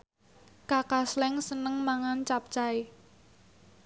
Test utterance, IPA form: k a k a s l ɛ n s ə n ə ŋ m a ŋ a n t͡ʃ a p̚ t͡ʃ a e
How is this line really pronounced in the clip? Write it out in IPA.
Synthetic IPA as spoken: k a k a s l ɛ ŋ s ə n ə ŋ m a ŋ a n t͡ʃ a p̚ t͡ʃ a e